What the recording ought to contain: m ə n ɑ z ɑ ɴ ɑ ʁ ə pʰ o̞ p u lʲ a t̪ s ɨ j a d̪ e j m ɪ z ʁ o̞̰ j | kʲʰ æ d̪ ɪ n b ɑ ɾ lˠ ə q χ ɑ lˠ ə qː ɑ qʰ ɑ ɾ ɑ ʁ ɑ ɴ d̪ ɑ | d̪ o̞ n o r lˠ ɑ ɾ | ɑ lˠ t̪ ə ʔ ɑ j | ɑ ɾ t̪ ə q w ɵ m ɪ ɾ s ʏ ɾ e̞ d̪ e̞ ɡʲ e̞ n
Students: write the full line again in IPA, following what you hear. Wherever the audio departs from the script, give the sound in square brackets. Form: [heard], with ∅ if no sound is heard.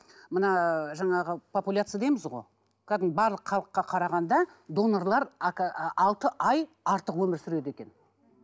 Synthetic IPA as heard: m ə n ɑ [ʒ] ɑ ɴ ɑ ʁ ə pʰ o̞ p u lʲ a t̪ s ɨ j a d̪ e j m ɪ z ʁ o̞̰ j | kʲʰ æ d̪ ɪ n b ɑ ɾ lˠ ə q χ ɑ lˠ ə qː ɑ qʰ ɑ ɾ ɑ ʁ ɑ [n] d̪ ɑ | d̪ o̞ n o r lˠ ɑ ɾ | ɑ lˠ t̪ ə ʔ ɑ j | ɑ ɾ t̪ ə q w ɵ m ɪ ɾ s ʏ ɾ e̞ d̪ e̞ [kʲ] e̞ n